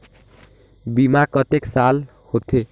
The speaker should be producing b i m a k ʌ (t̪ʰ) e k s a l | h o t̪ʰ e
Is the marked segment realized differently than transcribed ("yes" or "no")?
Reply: yes